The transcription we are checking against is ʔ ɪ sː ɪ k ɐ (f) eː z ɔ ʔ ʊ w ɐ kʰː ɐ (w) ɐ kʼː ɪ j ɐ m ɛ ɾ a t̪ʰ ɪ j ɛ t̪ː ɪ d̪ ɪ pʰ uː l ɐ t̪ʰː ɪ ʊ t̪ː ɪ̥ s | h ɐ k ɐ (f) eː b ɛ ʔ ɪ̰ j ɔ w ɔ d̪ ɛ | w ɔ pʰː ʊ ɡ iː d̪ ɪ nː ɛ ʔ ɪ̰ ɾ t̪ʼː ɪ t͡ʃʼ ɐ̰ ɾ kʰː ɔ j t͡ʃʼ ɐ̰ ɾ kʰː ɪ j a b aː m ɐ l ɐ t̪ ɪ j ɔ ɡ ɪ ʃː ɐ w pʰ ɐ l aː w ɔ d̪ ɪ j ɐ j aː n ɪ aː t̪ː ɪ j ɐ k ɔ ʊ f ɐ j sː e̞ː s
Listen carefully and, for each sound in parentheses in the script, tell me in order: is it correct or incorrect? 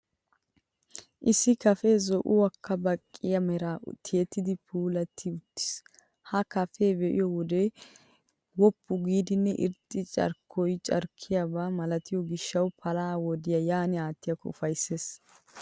correct, incorrect: b, correct

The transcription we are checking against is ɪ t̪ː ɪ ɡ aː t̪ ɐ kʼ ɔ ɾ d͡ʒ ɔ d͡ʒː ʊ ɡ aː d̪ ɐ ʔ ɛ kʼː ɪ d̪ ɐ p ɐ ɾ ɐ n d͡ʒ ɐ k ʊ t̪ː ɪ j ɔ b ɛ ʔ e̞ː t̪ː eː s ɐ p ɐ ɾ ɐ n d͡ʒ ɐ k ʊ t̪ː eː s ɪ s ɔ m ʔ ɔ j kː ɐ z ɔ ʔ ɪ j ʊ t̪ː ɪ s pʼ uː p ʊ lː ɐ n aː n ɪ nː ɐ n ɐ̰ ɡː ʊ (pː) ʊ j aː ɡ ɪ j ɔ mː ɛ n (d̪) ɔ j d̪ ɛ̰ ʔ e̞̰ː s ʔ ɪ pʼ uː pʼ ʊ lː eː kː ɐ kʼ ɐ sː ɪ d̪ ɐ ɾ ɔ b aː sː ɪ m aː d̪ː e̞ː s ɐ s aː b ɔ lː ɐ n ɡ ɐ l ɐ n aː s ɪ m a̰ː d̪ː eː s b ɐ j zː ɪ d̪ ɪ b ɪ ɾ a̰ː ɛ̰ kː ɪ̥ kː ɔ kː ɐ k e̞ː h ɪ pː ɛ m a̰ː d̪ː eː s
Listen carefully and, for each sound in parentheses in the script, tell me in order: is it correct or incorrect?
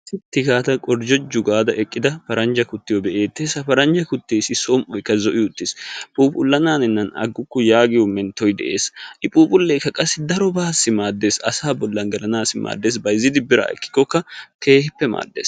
incorrect: kː, incorrect: t̪

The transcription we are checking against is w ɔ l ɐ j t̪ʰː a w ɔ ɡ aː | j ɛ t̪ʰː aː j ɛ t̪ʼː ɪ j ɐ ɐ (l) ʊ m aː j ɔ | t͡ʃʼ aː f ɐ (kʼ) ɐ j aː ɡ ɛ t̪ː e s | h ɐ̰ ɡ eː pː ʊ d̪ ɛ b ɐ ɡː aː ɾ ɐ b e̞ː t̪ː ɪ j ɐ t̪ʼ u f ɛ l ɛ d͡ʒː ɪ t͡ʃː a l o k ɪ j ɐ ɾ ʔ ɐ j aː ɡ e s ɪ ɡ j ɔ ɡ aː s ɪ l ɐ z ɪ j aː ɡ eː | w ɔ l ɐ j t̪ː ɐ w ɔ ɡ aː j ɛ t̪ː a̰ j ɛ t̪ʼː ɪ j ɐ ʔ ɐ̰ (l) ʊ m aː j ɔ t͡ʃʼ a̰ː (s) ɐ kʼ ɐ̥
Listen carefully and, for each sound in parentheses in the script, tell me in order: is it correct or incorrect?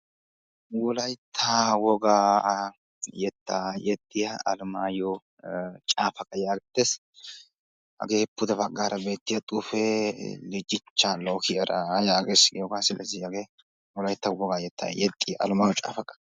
correct, correct, correct, incorrect: f

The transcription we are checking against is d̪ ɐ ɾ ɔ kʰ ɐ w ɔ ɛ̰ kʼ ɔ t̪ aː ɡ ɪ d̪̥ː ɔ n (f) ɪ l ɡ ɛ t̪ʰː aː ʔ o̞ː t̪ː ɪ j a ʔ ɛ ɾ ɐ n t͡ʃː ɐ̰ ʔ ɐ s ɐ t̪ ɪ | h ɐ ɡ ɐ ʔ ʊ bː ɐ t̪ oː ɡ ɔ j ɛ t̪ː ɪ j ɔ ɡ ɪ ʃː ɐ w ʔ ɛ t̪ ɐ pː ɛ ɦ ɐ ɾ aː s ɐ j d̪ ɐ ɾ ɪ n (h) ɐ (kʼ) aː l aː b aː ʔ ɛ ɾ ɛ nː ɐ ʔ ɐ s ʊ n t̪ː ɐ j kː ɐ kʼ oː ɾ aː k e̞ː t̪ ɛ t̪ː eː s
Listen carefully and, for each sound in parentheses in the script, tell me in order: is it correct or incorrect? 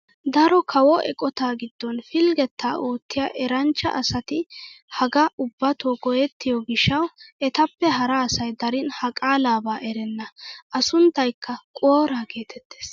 correct, correct, correct

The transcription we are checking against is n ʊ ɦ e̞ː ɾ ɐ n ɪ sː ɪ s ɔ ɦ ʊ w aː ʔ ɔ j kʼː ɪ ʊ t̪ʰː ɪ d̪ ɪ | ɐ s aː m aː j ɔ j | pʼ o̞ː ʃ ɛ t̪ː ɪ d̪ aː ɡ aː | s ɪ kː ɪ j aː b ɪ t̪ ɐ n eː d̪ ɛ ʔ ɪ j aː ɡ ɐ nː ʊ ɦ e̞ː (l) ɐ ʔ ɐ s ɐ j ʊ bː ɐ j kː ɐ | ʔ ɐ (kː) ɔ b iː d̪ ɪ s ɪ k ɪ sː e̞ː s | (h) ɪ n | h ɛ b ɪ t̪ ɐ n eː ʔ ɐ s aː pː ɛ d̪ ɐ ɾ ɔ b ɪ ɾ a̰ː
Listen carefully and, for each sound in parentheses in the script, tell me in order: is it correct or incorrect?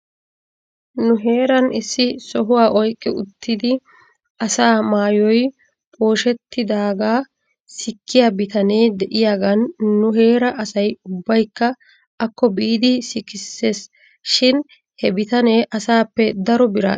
incorrect: ɾ, correct, incorrect: ʃ

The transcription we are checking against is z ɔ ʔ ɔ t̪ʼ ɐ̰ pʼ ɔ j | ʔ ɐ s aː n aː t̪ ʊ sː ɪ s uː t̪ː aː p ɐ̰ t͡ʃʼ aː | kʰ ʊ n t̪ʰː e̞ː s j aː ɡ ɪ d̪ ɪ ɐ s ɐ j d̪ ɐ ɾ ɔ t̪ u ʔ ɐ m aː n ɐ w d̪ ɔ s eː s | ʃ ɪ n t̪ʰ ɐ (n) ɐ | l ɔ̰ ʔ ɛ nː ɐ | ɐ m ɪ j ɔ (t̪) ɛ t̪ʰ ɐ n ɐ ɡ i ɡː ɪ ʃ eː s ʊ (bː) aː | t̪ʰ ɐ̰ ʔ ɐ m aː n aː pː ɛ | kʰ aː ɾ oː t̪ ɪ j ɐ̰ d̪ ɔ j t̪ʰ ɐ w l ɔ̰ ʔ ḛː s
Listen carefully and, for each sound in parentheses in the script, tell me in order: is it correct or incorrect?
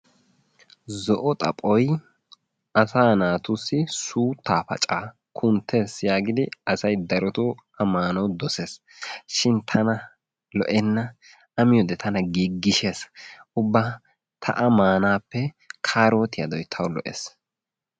correct, incorrect: d̪, correct

